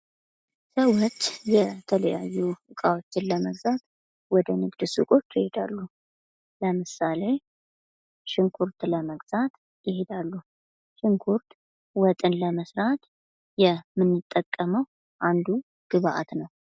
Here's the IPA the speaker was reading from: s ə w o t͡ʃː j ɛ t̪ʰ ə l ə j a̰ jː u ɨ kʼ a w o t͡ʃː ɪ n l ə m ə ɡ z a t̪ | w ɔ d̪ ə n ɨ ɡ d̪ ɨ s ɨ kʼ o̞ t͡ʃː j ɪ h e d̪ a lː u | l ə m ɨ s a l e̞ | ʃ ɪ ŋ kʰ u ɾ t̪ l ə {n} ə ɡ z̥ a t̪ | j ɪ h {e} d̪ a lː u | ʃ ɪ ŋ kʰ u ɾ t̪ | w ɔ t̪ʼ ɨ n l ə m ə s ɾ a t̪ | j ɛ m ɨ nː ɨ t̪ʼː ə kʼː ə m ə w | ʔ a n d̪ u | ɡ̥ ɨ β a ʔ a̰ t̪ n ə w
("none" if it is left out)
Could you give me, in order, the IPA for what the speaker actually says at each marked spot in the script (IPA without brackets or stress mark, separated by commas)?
m, e